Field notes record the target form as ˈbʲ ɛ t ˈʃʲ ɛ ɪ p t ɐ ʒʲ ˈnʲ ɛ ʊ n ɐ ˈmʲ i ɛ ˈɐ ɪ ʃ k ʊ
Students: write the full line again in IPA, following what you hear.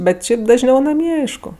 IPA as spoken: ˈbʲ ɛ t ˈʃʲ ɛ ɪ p d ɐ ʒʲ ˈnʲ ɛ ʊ n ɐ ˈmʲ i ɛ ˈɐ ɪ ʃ k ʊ